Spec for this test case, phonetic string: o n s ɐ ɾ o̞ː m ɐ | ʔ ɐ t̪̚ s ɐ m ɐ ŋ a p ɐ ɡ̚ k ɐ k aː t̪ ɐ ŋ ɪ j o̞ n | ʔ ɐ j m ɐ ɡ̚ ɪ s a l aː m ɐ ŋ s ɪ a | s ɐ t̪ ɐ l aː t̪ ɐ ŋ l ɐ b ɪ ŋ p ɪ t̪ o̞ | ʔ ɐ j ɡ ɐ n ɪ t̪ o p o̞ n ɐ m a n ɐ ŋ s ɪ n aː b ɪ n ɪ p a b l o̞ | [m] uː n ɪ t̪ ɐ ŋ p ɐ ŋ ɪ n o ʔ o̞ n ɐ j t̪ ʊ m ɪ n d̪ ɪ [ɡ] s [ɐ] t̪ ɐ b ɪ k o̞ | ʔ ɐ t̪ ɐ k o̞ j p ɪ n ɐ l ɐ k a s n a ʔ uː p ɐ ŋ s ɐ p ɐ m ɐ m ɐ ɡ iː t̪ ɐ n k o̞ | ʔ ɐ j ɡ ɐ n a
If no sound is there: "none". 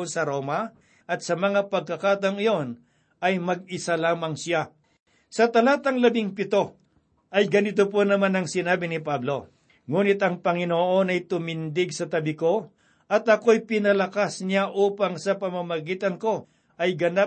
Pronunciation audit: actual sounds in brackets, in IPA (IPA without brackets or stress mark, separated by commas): ŋ, ɡ, ɐ